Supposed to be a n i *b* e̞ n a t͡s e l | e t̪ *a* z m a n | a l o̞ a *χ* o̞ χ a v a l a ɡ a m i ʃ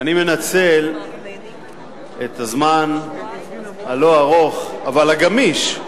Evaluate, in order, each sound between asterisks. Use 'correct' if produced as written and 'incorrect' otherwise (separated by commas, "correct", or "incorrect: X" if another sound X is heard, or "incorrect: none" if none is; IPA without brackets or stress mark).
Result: incorrect: m, correct, incorrect: ʁ